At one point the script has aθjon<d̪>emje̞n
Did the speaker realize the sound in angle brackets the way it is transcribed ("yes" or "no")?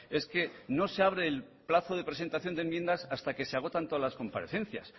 yes